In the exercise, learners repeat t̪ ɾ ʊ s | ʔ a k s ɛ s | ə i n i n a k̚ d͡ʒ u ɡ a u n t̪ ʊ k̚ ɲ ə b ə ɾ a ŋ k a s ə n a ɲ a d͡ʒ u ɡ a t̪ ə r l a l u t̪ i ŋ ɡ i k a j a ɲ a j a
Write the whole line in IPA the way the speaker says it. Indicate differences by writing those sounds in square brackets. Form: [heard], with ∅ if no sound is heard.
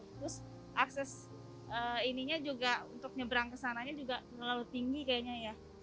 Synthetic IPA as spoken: t̪ ɾ ʊ s | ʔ a k s ɛ s | ə i n i [ɲ] a [∅] d͡ʒ u ɡ a u n t̪ ʊ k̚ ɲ ə b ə ɾ a ŋ k [ə] s [a] n a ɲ a d͡ʒ u ɡ a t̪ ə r l a l u t̪ i ŋ ɡ i k a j a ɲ a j a